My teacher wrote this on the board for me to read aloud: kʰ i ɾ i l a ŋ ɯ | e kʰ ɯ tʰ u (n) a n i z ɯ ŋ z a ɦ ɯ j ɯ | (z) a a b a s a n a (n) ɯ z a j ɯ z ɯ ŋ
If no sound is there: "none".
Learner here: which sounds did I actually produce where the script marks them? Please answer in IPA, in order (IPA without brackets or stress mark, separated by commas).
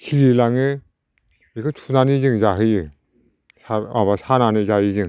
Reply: n, s, n